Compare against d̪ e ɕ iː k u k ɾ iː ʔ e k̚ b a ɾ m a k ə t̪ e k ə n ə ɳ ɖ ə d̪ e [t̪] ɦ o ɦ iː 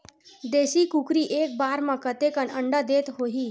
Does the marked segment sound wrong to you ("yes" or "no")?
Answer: no